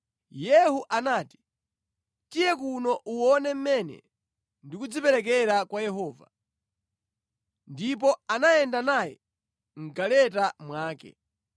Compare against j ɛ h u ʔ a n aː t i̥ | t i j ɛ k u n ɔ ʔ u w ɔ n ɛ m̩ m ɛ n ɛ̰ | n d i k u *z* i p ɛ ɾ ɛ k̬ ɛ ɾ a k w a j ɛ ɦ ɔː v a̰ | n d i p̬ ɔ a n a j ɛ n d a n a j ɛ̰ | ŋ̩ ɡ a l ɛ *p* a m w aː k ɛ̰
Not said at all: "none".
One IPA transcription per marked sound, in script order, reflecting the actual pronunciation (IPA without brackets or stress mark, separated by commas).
d͡z, t